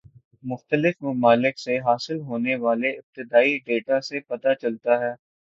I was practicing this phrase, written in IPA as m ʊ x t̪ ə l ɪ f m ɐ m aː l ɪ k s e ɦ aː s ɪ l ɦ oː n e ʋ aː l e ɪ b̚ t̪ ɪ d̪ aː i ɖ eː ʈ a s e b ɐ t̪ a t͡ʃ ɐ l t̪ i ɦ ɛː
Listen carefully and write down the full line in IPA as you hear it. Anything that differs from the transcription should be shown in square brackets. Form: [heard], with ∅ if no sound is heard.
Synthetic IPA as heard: m ʊ x t̪ ə l ɪ f m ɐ m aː l ɪ k s e ɦ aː s ɪ l ɦ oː n e ʋ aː l e ɪ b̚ t̪ ɪ d̪ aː i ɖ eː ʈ a s e [p] ɐ t̪ a t͡ʃ ɐ l t̪ [a] ɦ ɛː